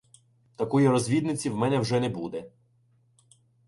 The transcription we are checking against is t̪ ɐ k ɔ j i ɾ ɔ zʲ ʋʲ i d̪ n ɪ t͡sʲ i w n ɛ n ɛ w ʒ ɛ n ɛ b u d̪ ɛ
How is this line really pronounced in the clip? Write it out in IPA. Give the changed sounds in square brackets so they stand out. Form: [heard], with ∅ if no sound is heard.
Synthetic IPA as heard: t̪ ɐ k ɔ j i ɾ ɔ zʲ ʋʲ i d̪ n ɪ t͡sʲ i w [m] ɛ n ɛ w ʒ ɛ n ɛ b u d̪ ɛ